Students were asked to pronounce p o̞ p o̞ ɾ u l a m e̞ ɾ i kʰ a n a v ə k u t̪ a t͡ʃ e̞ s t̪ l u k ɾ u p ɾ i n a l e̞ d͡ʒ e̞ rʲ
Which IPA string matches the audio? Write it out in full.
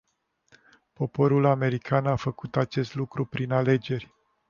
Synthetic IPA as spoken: p o̞ p o̞ ɾ u l a m e̞ ɾ i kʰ a n a f ə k u t̪ a t͡ʃ e̞ s t̪ l u k ɾ u p ɾ i n a l e̞ d͡ʒ e̞ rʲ